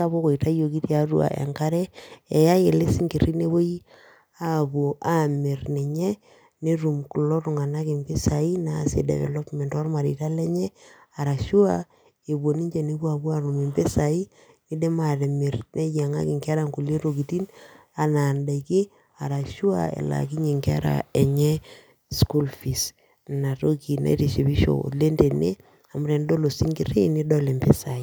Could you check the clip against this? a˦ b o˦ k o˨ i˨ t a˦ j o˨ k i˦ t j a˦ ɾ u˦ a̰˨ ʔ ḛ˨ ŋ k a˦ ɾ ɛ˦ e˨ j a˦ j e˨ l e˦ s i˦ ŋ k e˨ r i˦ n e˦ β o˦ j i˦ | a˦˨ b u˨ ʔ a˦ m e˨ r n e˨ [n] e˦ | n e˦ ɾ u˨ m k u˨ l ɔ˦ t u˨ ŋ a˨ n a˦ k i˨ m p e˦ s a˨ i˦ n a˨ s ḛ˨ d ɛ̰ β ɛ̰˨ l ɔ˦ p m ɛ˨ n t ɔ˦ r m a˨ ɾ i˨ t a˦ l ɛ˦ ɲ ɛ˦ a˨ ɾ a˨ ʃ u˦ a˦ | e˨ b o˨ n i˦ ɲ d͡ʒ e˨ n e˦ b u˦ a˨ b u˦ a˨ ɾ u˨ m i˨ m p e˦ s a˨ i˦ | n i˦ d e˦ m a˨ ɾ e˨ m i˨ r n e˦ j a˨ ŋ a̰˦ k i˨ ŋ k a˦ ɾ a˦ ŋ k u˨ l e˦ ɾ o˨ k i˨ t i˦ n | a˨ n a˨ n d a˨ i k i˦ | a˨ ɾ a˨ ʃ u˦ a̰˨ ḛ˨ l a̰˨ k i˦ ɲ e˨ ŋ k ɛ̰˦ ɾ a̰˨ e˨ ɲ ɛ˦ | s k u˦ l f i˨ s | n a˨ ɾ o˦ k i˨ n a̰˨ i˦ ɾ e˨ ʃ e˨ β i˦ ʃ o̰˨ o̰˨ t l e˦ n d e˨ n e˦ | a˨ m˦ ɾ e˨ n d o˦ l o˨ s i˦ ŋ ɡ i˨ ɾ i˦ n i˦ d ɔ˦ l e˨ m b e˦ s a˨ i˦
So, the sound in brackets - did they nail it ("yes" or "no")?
no